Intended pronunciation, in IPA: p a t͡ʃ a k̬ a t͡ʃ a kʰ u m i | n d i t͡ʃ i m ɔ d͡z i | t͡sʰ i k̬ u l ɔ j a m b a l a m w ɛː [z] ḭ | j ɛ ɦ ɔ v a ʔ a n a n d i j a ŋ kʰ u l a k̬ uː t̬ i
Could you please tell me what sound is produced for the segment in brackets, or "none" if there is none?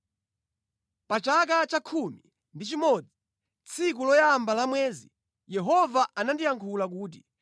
z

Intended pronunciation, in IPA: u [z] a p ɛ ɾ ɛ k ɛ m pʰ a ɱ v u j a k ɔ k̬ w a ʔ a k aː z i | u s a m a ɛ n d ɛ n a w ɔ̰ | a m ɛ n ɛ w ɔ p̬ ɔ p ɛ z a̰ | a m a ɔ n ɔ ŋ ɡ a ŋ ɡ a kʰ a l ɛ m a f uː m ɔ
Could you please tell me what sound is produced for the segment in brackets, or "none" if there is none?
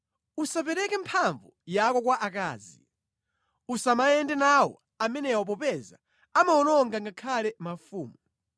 s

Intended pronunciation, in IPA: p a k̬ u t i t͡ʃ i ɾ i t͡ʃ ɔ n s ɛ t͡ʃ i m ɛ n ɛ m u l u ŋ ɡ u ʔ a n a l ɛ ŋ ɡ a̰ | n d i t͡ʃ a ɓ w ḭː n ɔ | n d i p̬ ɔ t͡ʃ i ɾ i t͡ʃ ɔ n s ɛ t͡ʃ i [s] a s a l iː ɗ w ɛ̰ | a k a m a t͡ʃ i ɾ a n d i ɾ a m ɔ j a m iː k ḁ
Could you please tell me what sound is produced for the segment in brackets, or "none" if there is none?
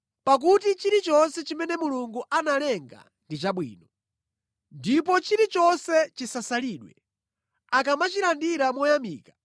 s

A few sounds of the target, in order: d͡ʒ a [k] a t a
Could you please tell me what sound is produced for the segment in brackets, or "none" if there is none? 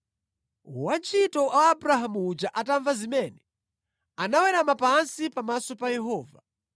ʔ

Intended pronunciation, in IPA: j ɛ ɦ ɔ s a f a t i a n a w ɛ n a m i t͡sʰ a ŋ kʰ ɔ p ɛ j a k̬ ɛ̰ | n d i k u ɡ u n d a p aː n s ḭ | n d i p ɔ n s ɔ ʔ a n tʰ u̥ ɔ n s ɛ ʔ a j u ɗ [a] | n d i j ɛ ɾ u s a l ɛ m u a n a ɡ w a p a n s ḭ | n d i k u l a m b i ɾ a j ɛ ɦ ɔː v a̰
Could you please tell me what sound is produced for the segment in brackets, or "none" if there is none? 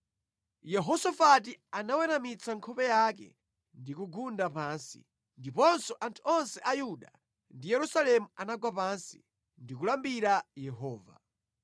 a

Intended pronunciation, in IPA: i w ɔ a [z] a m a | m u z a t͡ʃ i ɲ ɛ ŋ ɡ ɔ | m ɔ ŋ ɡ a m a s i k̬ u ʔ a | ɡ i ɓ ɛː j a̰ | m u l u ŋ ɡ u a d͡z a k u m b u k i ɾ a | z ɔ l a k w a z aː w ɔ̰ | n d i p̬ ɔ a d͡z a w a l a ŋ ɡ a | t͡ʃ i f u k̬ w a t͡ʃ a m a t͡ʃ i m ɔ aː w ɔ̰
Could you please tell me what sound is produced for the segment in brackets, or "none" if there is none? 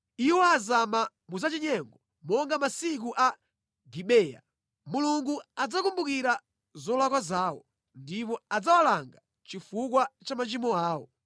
z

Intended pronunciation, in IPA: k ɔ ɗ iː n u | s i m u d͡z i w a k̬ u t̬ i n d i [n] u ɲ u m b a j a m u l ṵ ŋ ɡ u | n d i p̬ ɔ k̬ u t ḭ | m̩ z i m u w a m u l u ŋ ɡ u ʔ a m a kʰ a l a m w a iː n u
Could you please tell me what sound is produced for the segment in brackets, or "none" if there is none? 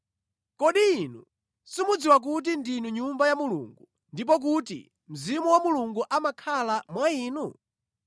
n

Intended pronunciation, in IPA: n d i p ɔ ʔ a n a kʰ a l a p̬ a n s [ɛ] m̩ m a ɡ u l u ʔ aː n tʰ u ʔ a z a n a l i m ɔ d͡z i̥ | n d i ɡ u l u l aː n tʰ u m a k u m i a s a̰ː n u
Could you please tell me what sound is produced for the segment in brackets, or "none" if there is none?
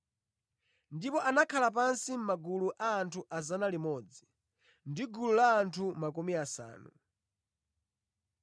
i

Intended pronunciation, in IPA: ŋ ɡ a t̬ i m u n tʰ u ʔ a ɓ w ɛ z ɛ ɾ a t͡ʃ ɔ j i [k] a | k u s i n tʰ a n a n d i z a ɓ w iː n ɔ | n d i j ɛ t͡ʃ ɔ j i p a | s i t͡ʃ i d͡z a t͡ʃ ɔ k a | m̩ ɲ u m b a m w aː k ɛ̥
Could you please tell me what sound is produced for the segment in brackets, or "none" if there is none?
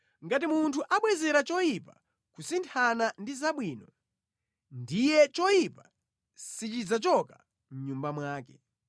p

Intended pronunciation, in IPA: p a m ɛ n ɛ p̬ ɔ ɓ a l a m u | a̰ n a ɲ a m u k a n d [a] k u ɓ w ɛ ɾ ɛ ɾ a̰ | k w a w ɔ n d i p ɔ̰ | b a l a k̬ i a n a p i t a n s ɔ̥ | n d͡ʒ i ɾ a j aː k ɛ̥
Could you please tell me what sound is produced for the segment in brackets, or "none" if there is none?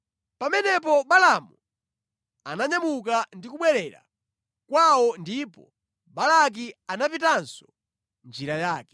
i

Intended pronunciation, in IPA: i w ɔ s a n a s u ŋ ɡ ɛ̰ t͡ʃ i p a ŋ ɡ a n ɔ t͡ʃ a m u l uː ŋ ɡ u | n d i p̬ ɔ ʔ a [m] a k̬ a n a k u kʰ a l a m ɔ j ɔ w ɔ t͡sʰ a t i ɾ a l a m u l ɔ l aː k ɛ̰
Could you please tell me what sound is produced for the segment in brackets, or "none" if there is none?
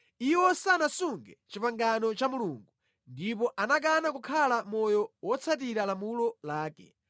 n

